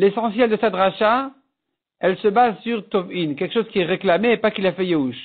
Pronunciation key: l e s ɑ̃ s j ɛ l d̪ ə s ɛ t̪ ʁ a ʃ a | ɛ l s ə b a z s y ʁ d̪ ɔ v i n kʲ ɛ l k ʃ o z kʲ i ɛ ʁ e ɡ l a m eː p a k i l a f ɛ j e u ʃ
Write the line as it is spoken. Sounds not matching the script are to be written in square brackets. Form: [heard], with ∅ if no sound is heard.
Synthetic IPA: l e s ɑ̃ s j ɛ l d̪ ə s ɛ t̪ ʁ a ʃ a | ɛ l s ə b a z s y ʁ [t̪] ɔ v i n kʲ ɛ l k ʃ o z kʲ i ɛ ʁ e [k] l a m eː p a k i l a f ɛ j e u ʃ